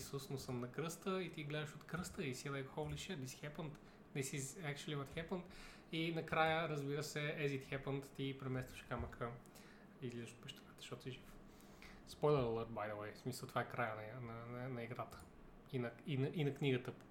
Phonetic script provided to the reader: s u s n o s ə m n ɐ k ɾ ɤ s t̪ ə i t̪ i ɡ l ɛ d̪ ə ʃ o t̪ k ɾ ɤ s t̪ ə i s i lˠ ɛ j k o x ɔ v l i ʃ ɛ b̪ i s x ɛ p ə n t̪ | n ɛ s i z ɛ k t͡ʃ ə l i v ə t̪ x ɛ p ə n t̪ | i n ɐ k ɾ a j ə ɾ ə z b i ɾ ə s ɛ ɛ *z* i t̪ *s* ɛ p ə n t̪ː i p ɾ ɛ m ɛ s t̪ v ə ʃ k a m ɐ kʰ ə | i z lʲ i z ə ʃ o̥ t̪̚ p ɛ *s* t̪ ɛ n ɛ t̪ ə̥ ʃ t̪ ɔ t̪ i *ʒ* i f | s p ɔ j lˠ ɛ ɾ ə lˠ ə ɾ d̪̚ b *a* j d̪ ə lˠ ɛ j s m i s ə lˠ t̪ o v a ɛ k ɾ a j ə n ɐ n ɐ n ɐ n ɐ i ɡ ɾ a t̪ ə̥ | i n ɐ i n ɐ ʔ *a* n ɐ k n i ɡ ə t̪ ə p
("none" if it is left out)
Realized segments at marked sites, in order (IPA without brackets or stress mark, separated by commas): z, x, ʃ, ʒ, a, i